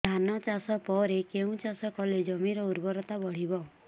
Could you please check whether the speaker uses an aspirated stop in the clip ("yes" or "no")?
no